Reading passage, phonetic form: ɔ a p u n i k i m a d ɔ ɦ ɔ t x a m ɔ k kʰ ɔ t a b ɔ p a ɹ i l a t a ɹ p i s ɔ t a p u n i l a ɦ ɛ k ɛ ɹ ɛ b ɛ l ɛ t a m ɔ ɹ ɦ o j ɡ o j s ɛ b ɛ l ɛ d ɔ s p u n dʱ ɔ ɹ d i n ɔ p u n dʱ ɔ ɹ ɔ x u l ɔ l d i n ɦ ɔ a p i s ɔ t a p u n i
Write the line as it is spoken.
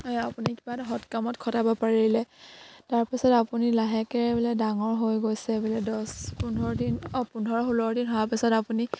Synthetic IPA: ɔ a p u n i k i b a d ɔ ɦ ɔ t k a m ɔ t kʰ ɔ t a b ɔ p a ɹ i l ɛ t a ɹ p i s ɔ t a p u n i l a ɦ ɛ k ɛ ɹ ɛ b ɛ l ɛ d a ŋ ɔ ɹ ɦ o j ɡ o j s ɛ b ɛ l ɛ d ɔ s p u n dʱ ɔ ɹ d i n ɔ p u n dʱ ɔ ɹ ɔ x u l ɔ ɹ d i n ɦ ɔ a p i s ɔ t a p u n i